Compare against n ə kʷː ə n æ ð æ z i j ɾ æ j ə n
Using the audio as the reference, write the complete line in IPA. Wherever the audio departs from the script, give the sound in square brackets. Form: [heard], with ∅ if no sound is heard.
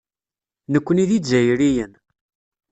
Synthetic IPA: n ə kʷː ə n [i] ð [i] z [æ] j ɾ [i] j ə n